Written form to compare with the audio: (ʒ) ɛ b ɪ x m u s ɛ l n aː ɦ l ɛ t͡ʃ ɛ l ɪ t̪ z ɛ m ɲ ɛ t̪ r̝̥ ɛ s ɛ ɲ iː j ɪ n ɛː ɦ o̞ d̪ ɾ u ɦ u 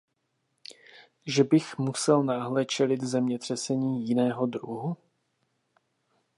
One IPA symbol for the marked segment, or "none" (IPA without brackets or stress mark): ʒ